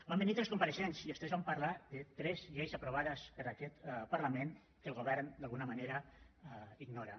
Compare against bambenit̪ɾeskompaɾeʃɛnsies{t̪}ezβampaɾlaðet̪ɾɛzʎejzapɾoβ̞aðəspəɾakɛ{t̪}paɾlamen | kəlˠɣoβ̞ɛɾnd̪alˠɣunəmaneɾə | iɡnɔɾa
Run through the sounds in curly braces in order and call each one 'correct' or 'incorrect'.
correct, correct

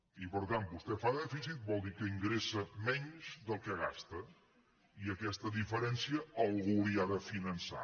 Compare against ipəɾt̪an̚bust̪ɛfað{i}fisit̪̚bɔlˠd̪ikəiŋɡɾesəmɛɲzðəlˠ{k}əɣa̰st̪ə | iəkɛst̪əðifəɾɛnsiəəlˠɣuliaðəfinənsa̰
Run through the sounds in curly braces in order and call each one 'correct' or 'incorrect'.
incorrect: ɛ, correct

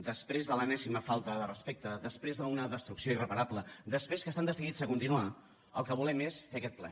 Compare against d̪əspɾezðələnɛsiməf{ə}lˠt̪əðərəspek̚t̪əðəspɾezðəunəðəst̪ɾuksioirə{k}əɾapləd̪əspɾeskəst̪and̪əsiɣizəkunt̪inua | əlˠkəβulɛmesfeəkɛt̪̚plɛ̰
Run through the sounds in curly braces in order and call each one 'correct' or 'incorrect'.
incorrect: a, incorrect: p

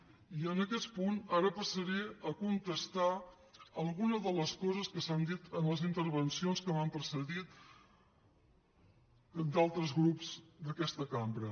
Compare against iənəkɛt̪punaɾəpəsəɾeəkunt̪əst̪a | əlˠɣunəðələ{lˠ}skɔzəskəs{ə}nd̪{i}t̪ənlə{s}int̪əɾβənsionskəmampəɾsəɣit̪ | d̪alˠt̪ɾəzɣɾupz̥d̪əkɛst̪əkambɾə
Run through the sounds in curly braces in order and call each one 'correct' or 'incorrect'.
incorrect: none, incorrect: a, correct, incorrect: z

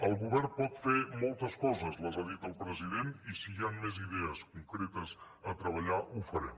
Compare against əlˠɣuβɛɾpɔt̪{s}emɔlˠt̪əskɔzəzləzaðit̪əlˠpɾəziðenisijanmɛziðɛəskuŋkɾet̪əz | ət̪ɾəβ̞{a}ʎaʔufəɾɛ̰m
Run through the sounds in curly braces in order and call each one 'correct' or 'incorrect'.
incorrect: f, incorrect: ə

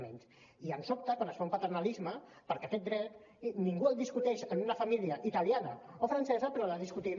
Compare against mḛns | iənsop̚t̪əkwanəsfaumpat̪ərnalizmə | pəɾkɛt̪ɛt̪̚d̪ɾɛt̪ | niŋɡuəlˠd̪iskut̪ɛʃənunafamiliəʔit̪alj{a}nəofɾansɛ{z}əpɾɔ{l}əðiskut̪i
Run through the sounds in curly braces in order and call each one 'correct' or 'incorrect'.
correct, correct, correct

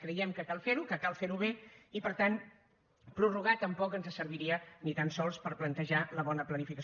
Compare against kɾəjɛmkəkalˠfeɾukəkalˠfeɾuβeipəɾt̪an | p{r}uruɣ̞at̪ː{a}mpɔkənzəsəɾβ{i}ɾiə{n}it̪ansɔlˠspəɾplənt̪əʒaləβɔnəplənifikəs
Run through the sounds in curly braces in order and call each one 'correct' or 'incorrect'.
incorrect: ɾ, incorrect: ə, correct, correct

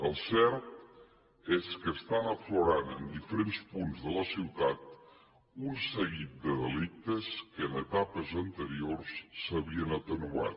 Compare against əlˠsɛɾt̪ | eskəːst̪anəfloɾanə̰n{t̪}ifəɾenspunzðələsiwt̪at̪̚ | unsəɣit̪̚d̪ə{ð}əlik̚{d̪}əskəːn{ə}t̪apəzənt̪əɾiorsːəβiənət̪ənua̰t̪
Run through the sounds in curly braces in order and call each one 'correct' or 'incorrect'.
incorrect: d̪, correct, incorrect: t̪, correct

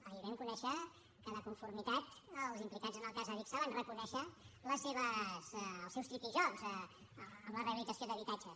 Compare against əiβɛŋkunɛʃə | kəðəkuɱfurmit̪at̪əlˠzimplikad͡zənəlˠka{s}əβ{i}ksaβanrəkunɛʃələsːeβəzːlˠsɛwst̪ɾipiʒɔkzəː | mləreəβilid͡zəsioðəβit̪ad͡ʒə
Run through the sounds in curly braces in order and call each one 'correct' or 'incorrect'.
incorrect: z, correct

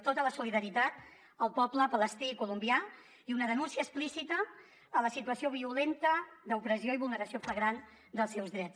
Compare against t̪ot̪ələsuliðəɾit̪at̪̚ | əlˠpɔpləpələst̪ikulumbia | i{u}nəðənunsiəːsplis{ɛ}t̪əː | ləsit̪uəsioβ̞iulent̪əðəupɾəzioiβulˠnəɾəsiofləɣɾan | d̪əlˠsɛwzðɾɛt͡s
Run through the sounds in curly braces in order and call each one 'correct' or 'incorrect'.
correct, incorrect: i

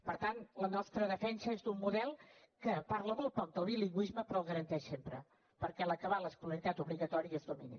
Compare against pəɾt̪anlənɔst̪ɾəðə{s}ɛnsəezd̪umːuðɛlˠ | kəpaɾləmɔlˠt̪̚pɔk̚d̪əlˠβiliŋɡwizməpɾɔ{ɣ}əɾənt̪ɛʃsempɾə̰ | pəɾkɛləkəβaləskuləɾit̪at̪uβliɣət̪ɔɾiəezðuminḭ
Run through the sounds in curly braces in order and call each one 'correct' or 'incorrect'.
incorrect: f, correct

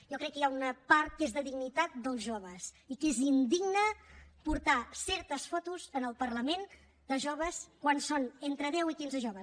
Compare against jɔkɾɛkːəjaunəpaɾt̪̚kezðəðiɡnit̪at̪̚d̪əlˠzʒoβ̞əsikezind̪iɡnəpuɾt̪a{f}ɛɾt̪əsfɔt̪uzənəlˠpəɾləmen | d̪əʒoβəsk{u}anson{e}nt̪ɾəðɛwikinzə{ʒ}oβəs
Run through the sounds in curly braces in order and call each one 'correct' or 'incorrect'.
incorrect: s, incorrect: w, correct, correct

